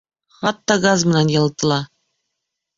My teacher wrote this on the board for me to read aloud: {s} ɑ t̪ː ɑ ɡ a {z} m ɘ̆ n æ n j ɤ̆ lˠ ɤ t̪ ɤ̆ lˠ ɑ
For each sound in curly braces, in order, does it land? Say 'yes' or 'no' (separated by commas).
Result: no, yes